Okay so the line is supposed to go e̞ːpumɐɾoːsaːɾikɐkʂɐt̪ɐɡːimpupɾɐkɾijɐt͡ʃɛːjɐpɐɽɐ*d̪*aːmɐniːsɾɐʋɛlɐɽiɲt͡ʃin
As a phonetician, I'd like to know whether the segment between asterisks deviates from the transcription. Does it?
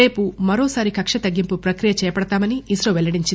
yes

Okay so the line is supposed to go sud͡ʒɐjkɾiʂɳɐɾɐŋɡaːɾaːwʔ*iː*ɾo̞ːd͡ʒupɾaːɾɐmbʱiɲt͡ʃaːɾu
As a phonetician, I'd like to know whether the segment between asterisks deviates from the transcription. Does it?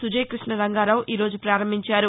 no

